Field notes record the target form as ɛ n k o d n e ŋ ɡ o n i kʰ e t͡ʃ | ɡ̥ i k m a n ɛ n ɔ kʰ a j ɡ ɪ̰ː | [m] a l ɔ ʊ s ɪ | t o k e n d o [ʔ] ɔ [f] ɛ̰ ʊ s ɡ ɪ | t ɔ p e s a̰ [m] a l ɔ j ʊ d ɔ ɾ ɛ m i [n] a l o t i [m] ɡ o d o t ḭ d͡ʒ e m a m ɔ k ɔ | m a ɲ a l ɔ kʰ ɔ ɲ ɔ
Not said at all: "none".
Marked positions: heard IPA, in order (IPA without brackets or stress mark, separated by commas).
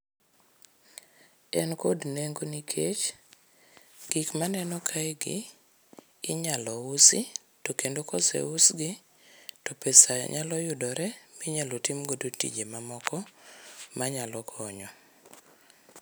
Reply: ɲ, k, s, ɲ, ɲ, m